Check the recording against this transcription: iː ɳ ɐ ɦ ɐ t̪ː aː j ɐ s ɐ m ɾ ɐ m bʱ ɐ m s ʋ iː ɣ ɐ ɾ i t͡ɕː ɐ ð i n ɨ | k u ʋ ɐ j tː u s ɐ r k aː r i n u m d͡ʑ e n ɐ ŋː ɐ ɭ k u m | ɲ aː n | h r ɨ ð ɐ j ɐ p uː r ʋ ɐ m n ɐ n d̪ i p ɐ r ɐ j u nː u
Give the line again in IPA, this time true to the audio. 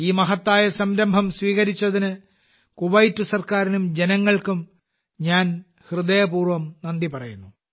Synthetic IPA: iː m ɐ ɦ ɐ t̪ː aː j ɐ s ɐ m ɾ ɐ m bʱ ɐ m s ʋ iː ɣ ɐ ɾ i t͡ɕː ɐ ð i n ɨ | k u ʋ ɐ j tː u s ɐ r k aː ɾ i n u m d͡ʑ e n ɐ ŋː ɐ ɭ k u m | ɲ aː n | h r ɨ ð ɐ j ɐ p uː r ʋ ɐ m n ɐ n d̪ i p ɐ r ɐ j u nː u